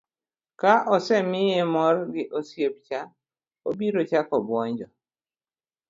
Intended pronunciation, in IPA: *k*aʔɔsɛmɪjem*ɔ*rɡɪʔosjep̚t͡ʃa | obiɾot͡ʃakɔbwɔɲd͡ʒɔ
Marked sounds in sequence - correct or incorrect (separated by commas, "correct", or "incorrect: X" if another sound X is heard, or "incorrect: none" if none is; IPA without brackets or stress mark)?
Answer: correct, correct